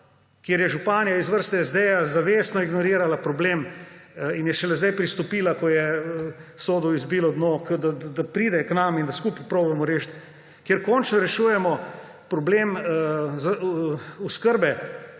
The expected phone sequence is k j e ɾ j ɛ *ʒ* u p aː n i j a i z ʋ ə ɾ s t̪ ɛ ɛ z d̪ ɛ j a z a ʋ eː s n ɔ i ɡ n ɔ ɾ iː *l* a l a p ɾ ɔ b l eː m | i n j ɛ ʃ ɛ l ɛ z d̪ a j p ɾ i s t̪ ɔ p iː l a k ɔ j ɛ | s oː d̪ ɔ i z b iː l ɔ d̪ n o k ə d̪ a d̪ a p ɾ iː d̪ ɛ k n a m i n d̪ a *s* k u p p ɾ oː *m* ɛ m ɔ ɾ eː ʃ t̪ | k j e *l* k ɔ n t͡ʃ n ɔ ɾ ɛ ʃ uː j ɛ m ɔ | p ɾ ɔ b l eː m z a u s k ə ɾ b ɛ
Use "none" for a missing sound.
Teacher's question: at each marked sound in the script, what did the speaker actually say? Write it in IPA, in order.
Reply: ʒ, ɾ, s, b, ɾ

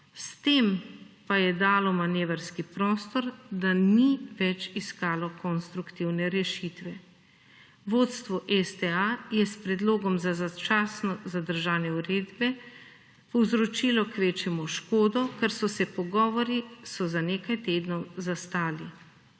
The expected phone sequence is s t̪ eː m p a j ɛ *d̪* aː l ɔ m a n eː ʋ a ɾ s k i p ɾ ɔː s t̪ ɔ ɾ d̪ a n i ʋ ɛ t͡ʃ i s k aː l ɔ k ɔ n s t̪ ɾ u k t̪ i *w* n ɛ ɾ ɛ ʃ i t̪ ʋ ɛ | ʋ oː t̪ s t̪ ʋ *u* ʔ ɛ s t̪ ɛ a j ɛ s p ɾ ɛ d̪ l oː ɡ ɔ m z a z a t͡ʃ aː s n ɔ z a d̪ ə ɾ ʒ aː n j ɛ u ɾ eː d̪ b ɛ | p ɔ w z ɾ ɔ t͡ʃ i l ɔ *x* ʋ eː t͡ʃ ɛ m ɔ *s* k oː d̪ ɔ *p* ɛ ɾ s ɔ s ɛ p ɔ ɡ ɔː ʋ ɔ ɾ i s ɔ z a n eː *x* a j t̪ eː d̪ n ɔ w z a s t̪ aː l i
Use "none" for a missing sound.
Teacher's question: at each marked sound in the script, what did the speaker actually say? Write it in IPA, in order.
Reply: d̪, w, ɔ, k, ʃ, k, k

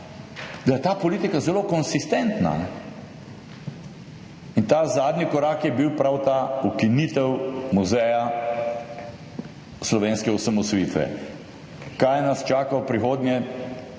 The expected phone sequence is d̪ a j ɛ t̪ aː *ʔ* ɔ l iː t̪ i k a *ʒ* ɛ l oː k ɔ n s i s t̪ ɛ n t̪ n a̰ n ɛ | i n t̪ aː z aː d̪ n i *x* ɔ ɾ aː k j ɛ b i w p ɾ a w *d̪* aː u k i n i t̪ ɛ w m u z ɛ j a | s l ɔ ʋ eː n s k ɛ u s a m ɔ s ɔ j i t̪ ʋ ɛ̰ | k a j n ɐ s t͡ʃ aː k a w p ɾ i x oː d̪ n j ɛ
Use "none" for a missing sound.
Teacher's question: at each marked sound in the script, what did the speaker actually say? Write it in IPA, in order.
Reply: p, z, k, t̪

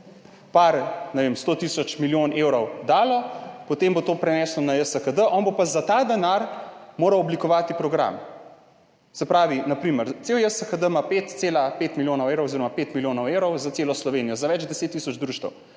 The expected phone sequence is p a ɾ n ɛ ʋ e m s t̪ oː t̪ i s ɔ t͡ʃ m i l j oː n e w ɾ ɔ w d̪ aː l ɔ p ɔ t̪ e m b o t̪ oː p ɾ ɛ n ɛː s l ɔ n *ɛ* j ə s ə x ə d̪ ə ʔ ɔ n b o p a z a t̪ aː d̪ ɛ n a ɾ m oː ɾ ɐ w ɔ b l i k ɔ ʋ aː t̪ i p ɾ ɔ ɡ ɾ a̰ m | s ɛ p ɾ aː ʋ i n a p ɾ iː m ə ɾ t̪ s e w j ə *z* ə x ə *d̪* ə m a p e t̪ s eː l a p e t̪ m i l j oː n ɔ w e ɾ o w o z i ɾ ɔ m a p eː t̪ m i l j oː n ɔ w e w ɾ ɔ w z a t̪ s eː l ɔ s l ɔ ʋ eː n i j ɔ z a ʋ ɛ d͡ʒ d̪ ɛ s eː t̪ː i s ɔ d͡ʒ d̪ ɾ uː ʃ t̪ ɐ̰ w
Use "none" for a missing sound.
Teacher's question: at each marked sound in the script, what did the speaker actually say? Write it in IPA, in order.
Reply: a, s, d̪

